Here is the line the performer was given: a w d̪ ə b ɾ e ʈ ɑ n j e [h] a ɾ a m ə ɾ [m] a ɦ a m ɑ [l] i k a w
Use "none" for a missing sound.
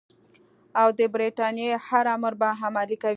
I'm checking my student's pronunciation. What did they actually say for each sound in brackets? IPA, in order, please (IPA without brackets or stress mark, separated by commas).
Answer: h, b, l